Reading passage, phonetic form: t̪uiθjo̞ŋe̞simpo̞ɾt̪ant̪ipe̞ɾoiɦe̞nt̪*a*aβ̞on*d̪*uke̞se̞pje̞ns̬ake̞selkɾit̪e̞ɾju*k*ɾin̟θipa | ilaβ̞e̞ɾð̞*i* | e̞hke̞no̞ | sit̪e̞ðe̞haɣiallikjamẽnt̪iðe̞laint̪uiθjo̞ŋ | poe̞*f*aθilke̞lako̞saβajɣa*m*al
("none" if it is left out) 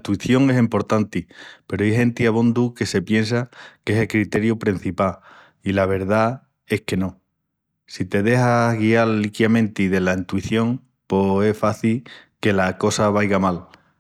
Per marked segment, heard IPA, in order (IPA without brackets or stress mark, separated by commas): i, d̪, p, a, f, m